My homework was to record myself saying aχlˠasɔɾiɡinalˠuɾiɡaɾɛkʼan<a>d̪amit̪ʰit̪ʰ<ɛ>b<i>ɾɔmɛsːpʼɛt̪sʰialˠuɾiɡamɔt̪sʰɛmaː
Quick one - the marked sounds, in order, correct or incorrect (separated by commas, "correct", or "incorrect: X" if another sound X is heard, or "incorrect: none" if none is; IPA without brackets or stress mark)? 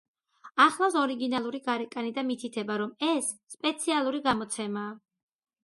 incorrect: i, correct, incorrect: a